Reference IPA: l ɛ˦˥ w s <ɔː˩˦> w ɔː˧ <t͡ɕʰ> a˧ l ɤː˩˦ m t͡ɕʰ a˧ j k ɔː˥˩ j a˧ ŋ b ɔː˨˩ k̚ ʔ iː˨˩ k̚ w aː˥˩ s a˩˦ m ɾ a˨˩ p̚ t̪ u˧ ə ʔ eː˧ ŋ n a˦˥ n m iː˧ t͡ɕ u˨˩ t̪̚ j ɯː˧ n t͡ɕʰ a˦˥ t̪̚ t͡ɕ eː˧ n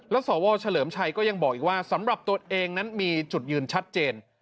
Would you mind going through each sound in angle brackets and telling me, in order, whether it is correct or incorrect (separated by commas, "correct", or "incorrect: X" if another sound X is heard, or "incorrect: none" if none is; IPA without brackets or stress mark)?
correct, correct